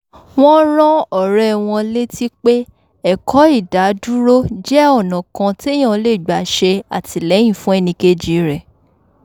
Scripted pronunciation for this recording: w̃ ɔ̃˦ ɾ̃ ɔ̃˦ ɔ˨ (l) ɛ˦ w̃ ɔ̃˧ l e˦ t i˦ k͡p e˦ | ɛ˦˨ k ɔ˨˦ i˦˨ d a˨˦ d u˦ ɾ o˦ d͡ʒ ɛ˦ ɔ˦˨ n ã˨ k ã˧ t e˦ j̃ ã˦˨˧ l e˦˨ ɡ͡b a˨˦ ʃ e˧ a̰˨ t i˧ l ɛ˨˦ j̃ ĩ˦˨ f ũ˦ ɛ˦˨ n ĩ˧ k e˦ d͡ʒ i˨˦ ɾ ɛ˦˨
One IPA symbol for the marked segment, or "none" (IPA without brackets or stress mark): ɾ